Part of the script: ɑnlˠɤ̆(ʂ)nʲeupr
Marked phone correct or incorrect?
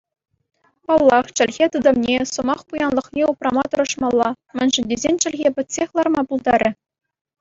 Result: incorrect